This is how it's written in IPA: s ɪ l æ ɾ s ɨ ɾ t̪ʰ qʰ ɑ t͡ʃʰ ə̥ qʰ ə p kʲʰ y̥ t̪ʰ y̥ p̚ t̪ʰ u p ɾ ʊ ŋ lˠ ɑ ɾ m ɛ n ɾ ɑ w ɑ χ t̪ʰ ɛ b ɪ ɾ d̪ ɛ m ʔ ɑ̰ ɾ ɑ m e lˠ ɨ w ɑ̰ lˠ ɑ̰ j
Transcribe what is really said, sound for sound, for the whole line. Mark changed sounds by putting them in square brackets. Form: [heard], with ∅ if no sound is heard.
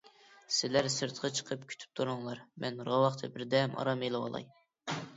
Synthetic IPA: s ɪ l æ ɾ s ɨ ɾ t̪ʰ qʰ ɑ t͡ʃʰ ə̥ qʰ ə p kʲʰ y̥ t̪ʰ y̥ p̚ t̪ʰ u [∅] ɾ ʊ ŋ lˠ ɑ ɾ m ɛ n ɾ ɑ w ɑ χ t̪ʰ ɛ b ɪ ɾ d̪ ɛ m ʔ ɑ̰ ɾ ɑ m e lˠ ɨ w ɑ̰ lˠ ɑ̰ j

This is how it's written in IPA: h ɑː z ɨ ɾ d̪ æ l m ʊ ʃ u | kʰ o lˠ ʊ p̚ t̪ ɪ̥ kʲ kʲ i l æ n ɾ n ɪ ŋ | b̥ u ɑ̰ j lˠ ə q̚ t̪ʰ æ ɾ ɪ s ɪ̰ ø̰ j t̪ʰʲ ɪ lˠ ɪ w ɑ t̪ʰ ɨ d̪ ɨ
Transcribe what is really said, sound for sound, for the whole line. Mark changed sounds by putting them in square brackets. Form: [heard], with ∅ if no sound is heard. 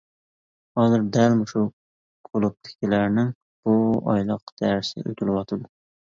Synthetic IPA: h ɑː z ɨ ɾ d̪ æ l m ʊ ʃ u | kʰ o lˠ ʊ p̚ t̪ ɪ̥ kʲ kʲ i l æ [∅] ɾ n ɪ ŋ | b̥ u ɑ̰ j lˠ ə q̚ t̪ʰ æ ɾ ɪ s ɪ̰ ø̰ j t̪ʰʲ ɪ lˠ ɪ w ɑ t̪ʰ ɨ d̪ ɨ

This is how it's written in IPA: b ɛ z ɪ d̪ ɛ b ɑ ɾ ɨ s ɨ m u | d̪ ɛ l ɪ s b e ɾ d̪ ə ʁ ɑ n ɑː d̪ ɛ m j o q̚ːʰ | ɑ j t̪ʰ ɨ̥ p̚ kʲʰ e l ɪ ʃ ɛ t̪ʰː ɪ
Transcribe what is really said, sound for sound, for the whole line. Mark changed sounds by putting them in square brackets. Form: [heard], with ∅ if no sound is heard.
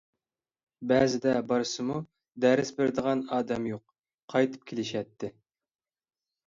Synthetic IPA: b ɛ z ɪ d̪ ɛ b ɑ ɾ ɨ s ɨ m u | d̪ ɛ [ɾ] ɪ s b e ɾ d̪ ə ʁ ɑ n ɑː d̪ ɛ m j o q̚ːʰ | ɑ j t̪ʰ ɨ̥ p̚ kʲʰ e l ɪ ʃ ɛ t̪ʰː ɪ

